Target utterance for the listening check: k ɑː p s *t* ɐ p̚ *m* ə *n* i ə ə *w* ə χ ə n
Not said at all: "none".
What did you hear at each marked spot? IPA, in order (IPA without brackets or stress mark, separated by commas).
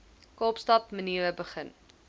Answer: t, m, n, b